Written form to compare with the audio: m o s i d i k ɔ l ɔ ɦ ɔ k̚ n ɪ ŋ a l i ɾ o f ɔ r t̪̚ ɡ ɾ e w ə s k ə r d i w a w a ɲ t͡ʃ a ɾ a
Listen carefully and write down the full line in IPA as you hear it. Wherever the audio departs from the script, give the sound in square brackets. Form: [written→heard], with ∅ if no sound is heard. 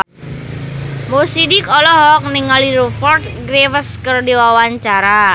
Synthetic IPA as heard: m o s i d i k ɔ l ɔ ɦ ɔ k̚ n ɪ ŋ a l i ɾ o f ɔ r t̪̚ ɡ ɾ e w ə s k ə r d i w a w a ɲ t͡ʃ a ɾ a

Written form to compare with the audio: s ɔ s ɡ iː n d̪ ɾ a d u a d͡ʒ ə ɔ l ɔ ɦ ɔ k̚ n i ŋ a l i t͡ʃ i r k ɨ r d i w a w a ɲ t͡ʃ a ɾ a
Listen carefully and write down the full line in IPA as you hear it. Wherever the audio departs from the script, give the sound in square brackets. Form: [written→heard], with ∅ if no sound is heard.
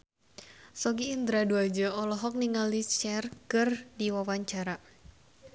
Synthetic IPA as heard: s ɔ [s→∅] ɡ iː n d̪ ɾ a d u a d͡ʒ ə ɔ l ɔ ɦ ɔ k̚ n i ŋ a l i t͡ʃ [i→ɛ] r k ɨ r d i w a w a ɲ t͡ʃ a ɾ a

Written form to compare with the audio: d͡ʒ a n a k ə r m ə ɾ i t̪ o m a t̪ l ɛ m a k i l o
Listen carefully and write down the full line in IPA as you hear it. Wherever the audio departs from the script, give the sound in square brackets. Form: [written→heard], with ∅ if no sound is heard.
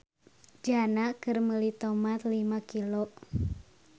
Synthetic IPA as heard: d͡ʒ a n a k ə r m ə [ɾ→l] i t̪ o m a t̪ l [ɛ→i] m a k i l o

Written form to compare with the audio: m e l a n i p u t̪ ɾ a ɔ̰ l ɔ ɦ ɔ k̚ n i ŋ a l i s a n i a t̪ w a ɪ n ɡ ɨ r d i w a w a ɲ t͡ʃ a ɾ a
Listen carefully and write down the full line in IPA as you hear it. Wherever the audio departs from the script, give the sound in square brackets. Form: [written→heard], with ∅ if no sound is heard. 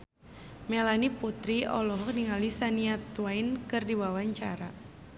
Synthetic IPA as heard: m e l a n i p u t̪ ɾ [a→i] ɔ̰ l ɔ ɦ ɔ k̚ n i ŋ a l i s a n i a t̪ w a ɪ n [ɡ→k] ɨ r d i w a w a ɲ t͡ʃ a ɾ a

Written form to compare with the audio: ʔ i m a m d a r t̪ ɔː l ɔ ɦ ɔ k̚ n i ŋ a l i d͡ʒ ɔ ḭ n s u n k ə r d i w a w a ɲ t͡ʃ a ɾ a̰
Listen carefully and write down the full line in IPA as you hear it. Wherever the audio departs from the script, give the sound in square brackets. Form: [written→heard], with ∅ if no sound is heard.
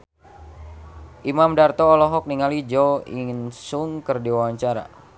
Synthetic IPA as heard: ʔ i m a m d a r t̪ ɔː l ɔ ɦ ɔ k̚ n i ŋ a l i d͡ʒ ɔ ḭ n s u [n→ŋ] k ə r d i w a w a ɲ t͡ʃ a ɾ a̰

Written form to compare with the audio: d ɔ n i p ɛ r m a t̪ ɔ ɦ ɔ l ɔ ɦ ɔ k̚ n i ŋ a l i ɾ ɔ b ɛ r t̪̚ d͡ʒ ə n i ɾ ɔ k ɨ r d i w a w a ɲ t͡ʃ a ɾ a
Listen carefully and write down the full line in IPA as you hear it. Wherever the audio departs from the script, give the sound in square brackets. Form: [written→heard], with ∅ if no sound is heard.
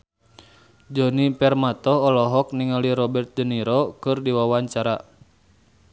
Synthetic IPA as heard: [d→d͡ʒ] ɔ n i p ɛ r m a t̪ ɔ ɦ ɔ l ɔ ɦ ɔ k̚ n i ŋ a l i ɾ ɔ b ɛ r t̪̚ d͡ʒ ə n i ɾ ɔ k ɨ r d i w a w a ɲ t͡ʃ a ɾ a

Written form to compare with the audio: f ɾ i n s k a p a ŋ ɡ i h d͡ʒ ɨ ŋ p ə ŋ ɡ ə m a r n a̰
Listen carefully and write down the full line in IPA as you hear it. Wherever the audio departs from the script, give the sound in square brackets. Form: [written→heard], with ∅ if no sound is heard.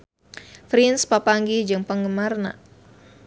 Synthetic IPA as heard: f ɾ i n s [k→p] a p a ŋ ɡ i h d͡ʒ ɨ ŋ p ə ŋ ɡ ə m a r n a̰

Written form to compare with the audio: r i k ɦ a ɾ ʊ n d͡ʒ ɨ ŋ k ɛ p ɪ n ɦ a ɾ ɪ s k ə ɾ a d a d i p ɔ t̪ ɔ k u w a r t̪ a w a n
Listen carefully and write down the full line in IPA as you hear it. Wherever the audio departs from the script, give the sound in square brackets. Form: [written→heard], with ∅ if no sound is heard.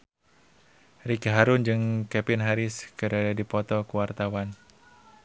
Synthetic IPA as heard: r i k ɦ a ɾ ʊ n d͡ʒ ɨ ŋ k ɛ p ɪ n ɦ a ɾ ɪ s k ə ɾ a d a d i p ɔ t̪ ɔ k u w a r t̪ a w a n

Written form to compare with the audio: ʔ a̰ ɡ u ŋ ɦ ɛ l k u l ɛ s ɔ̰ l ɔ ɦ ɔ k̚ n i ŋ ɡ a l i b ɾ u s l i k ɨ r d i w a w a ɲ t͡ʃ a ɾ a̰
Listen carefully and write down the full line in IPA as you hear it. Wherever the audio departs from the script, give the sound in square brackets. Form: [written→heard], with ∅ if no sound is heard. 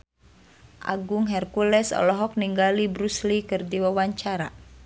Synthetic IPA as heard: ʔ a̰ ɡ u ŋ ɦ ɛ [l→r] k u l ɛ s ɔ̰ l ɔ ɦ ɔ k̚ n i ŋ ɡ a l i b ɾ u s l i k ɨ r d i w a w a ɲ t͡ʃ a ɾ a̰

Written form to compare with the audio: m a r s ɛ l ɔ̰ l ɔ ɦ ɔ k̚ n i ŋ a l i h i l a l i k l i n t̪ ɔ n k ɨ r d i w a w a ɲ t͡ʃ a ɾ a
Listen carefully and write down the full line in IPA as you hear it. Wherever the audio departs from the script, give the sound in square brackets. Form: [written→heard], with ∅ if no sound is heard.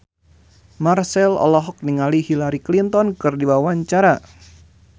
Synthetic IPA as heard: m a r s ɛ l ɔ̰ l ɔ ɦ ɔ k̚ n i ŋ a l i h i l a [l→ɾ] i k l i n t̪ ɔ n k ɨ r d i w a w a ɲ t͡ʃ a ɾ a

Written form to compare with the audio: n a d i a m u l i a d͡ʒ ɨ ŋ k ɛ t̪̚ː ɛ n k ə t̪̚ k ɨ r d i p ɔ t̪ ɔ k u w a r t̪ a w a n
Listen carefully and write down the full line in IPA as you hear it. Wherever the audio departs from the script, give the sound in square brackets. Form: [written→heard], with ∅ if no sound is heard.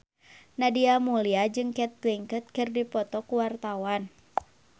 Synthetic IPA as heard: n a d i a m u l i a d͡ʒ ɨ ŋ k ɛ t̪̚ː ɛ [n→ŋ] k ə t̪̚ k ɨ r d i p ɔ t̪ ɔ k u w a r t̪ a w a n

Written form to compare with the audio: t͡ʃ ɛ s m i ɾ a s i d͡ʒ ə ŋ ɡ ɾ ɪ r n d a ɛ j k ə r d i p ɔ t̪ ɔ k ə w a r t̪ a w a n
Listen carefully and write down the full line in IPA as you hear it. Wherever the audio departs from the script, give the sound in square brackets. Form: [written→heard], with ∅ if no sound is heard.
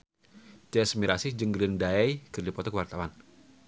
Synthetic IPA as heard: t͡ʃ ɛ s m i ɾ a s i d͡ʒ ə ŋ ɡ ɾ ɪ [r→∅] n d a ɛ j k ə r d i p ɔ t̪ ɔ k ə w a r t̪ a w a n

